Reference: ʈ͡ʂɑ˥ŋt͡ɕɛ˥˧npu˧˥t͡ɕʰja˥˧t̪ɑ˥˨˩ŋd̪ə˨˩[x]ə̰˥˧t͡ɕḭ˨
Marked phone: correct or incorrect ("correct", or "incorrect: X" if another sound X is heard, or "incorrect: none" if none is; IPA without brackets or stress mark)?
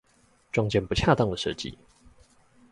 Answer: incorrect: ʂ